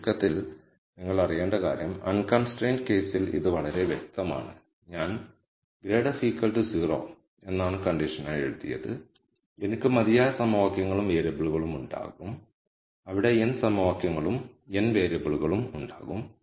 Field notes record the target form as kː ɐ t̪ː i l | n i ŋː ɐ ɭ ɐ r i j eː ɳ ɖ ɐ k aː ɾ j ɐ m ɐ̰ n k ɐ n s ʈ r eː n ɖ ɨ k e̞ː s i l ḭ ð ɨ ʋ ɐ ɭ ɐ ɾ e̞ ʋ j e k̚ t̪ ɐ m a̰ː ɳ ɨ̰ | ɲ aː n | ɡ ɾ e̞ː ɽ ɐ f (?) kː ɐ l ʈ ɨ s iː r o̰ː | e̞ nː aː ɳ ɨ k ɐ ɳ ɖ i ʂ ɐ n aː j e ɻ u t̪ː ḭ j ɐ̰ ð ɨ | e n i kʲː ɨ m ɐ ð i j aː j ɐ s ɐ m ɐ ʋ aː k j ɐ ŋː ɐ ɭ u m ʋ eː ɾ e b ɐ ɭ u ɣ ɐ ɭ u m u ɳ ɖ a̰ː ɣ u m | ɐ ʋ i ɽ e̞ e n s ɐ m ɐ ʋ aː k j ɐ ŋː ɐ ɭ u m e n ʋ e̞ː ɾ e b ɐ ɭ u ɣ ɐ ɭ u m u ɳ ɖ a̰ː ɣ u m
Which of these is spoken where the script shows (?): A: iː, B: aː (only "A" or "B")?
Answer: A